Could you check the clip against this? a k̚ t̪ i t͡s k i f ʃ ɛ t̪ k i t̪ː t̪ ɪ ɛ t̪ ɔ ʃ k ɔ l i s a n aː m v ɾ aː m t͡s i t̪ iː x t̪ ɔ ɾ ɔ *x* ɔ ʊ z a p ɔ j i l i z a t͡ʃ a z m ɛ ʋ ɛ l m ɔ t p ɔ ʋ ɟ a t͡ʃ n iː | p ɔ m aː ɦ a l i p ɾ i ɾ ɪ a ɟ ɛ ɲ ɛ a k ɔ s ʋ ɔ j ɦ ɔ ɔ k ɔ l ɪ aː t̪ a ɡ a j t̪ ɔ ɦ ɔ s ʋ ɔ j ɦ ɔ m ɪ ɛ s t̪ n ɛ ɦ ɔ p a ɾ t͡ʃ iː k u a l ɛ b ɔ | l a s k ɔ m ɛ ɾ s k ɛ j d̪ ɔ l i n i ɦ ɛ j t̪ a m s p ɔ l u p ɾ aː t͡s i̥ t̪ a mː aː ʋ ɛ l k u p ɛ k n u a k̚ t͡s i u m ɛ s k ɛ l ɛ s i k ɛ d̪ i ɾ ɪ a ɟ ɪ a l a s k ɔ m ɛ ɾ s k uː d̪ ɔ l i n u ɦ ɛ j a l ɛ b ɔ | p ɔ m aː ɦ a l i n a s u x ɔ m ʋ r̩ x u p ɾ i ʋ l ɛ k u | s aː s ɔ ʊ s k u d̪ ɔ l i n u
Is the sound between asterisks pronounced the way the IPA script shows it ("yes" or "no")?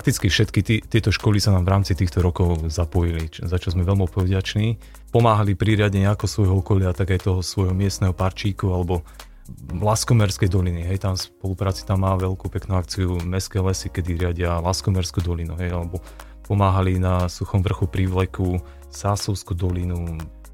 no